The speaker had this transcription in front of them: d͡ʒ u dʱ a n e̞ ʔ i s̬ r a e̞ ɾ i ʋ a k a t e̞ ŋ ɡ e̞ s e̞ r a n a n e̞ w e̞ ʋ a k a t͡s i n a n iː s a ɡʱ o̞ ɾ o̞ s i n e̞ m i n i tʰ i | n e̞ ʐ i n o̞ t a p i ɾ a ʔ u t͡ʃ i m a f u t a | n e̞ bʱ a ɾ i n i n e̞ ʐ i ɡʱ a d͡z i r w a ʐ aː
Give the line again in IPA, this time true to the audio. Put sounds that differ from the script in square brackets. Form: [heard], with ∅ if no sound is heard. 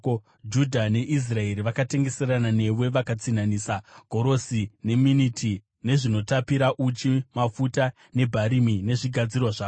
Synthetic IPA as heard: d͡ʒ u dʱ a n e̞ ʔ i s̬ r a e̞ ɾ i ʋ a k a t e̞ ŋ ɡ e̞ s e̞ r a n a n e̞ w e̞ ʋ a k a t͡s i n a n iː s a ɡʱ o̞ ɾ o̞ s i n e̞ m i n i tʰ i | n e̞ ʐ i n o̞ t a p i ɾ a ʔ u t͡ʃ i m a f u t a | n e̞ bʱ a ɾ i [m] i n e̞ ʐ i ɡʱ a d͡z i r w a ʐ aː